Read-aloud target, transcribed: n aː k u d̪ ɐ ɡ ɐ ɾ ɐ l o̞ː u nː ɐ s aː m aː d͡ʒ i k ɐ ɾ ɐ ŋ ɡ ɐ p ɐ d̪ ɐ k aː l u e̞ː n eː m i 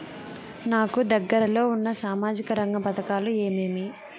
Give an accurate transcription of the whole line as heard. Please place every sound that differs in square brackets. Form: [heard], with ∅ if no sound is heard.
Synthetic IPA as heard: n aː k u d̪ ɐ [ɡː] ɐ ɾ ɐ l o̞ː u nː ɐ s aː m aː d͡ʒ i k ɐ ɾ ɐ ŋ ɡ ɐ p ɐ [t̪] ɐ k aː l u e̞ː [m] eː m i

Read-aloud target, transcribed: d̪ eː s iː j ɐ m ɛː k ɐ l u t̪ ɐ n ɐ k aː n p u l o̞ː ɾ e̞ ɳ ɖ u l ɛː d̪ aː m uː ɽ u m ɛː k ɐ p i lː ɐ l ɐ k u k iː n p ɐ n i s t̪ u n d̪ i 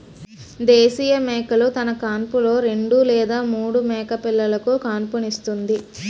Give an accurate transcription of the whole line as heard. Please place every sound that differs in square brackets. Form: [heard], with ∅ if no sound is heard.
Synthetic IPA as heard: d̪ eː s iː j ɐ m ɛː k ɐ l u t̪ ɐ n ɐ k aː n p u l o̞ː ɾ e̞ ɳ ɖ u l ɛː d̪ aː m uː ɽ u m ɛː k ɐ p i lː ɐ l ɐ k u k [aː] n p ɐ n i s t̪ u n d̪ i

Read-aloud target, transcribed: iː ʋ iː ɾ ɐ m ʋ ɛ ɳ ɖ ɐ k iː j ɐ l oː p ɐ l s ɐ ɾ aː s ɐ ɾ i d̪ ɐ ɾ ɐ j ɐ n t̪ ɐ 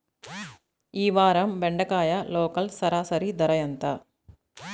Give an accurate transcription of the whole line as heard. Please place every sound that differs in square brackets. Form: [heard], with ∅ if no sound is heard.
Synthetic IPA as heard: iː ʋ [aː] ɾ ɐ m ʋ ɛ ɳ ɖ ɐ k [aː] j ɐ l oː [k] ɐ l s ɐ ɾ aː s ɐ ɾ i d̪ ɐ ɾ ɐ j ɐ n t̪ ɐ

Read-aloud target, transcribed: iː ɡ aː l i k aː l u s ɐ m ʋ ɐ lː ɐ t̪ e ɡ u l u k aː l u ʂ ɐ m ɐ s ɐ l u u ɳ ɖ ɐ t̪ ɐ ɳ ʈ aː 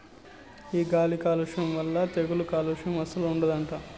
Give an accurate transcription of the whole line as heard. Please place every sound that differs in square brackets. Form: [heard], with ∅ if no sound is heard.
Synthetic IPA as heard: iː ɡ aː l i k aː l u [ʂ] ɐ m ʋ ɐ lː ɐ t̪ e ɡ u l u k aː l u ʂ ɐ m ɐ s ɐ l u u ɳ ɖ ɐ [d̪] ɐ ɳ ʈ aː

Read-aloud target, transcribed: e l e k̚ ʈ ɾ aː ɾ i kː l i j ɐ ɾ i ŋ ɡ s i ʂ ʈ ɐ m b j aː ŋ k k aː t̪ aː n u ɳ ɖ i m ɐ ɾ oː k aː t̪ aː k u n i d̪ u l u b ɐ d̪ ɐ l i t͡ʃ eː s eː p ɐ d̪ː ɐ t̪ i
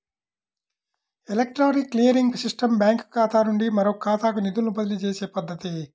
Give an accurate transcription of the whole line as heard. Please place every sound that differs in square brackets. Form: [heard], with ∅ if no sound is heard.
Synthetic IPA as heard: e l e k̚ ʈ ɾ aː ɾ i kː l i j ɐ ɾ i ŋ ɡ s i ʂ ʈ ɐ m b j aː ŋ k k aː t̪ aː n u ɳ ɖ i m ɐ ɾ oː k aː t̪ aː k u n i d̪ u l u b ɐ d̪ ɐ l i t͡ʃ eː s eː p ɐ d̪ː ɐ t̪ i

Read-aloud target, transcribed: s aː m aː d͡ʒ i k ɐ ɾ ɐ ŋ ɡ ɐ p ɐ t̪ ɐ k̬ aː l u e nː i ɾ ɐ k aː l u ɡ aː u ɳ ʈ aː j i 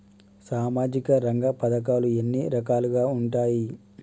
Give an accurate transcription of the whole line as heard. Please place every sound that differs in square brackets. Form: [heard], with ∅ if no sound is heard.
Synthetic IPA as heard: s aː m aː d͡ʒ i k ɐ ɾ ɐ ŋ ɡ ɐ p ɐ [d̪] ɐ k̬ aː l u e nː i ɾ ɐ k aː l u ɡ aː u ɳ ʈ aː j i

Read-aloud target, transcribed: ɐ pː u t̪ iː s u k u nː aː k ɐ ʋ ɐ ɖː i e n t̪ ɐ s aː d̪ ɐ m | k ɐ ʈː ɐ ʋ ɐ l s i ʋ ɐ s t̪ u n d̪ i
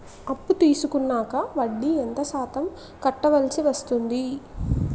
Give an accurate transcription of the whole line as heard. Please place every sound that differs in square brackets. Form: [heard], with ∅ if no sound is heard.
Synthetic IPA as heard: ɐ pː u t̪ iː s u k u nː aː k ɐ ʋ ɐ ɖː i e n t̪ ɐ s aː [t̪] ɐ m | k ɐ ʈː ɐ ʋ ɐ l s i ʋ ɐ s t̪ u n d̪ i

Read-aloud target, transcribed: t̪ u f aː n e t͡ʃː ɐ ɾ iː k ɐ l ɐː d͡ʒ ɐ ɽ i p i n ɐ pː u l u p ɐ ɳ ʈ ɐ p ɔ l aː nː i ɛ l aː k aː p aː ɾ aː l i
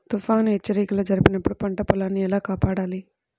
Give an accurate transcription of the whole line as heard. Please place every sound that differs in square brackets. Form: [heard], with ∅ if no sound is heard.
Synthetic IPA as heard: t̪ u f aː n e t͡ʃː ɐ ɾ iː k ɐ l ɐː d͡ʒ ɐ [ɾ] i p i n ɐ pː u [ɽ] u p ɐ ɳ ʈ ɐ p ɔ l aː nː i ɛ l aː k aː p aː [ɽ] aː l i

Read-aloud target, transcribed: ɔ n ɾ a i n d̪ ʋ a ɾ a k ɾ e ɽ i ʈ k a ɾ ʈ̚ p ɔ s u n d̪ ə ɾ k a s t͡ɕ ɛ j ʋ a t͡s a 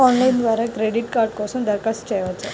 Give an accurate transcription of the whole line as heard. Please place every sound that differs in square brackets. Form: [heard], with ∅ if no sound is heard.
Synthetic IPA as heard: ɔ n [l] a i n d̪ ʋ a ɾ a k ɾ e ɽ i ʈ k a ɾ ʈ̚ [k] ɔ s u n d̪ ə ɾ k a s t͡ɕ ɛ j ʋ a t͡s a

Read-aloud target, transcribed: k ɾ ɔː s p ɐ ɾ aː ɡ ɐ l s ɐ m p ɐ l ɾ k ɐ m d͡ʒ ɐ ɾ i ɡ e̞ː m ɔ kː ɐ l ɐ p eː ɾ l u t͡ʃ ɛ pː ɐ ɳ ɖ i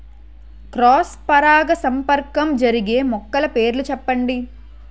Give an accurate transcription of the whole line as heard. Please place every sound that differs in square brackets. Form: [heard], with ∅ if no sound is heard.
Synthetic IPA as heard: k ɾ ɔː s p ɐ ɾ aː ɡ ɐ [∅] s ɐ m p ɐ [∅] ɾ k ɐ m d͡ʒ ɐ ɾ i ɡ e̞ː m ɔ kː ɐ l ɐ p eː ɾ l u t͡ʃ ɛ pː ɐ ɳ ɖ i

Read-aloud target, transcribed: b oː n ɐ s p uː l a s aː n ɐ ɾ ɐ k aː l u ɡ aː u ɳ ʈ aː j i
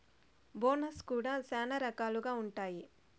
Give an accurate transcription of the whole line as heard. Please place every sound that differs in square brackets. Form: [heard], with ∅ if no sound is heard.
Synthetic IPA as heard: b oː n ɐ s [k] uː [ɽ] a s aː n ɐ ɾ ɐ k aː l u ɡ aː u ɳ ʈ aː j i

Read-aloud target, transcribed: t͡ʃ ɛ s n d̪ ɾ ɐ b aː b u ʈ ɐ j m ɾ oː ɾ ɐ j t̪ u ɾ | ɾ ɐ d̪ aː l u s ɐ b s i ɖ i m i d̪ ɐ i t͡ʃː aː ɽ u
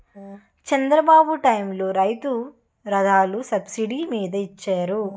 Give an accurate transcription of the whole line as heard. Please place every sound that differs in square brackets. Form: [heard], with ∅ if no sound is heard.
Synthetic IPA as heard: t͡ʃ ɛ [∅] n d̪ ɾ ɐ b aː b u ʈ ɐ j m [l] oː ɾ ɐ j t̪ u [∅] | ɾ ɐ d̪ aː l u s ɐ b s i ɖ i m [iː] d̪ ɐ i t͡ʃː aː [ɾ] u

